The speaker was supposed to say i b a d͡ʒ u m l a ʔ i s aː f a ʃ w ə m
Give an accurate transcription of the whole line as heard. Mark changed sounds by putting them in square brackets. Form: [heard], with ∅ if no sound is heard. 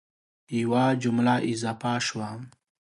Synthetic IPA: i [w] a d͡ʒ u m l a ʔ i [z] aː f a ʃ w [a] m